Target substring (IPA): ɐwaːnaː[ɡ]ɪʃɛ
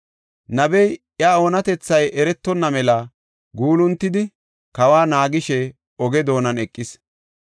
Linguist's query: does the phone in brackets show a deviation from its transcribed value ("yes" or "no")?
no